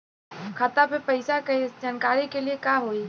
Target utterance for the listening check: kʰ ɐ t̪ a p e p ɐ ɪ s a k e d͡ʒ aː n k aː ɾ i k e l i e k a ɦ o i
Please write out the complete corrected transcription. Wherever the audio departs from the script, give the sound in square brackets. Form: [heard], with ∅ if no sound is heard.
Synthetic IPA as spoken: kʰ [a] t̪ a p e p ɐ ɪ s a k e d͡ʒ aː n k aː ɾ i k e l i e k a ɦ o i